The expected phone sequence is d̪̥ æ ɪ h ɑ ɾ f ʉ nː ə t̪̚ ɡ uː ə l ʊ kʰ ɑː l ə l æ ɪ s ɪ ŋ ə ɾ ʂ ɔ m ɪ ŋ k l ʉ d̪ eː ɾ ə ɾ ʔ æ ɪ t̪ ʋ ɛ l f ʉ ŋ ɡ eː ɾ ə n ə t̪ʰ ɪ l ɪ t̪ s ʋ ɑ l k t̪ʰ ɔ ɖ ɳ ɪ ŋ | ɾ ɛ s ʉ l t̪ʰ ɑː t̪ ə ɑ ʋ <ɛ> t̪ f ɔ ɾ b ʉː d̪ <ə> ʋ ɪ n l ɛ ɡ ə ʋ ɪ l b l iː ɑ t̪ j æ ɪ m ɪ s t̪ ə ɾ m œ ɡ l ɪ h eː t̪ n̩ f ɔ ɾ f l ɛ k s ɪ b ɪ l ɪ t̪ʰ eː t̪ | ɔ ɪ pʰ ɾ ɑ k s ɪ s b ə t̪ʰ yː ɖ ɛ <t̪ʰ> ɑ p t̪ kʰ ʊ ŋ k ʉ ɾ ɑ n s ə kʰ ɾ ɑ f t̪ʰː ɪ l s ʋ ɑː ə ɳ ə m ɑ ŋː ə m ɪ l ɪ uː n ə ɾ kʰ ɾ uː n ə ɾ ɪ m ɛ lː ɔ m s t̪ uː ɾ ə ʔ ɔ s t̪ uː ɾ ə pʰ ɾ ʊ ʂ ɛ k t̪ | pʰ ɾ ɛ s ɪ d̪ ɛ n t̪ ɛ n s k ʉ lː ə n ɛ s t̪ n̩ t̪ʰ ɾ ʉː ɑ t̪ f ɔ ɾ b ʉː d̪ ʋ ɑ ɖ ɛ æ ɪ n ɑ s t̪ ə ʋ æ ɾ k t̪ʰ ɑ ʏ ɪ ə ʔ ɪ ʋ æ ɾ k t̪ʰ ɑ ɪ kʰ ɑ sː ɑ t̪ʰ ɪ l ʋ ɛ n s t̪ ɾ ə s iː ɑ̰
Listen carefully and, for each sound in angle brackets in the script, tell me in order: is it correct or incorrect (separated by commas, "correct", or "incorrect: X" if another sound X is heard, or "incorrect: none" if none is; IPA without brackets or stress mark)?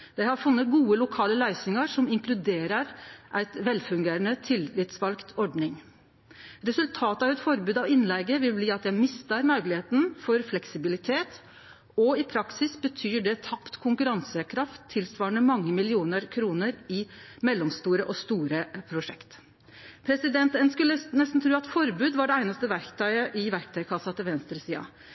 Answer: correct, incorrect: ɑ, correct